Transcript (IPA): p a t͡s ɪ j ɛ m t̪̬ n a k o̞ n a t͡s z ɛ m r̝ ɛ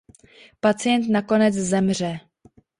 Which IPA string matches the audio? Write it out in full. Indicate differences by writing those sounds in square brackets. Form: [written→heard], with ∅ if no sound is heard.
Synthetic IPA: p a t͡s ɪ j ɛ [m→n] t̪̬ n a k o̞ n [a→ɛ] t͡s z ɛ m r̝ ɛ